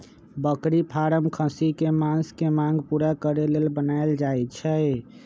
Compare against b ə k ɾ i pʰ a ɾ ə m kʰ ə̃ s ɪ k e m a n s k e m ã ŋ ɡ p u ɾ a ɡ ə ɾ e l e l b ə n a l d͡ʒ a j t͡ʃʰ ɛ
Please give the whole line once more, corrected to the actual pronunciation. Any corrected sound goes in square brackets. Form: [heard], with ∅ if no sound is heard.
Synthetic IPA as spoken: b ə k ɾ i pʰ a ɾ ə m kʰ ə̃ s [i] k e m a n s k e m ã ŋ ɡ p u ɾ a [k] ə ɾ e l e l b ə n a l d͡ʒ a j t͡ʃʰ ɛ